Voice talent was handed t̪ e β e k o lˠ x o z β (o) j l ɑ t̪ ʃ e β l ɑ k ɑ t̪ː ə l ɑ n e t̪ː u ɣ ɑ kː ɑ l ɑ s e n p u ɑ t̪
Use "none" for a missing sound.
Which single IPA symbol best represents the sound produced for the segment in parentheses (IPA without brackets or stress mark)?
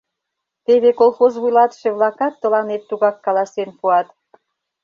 u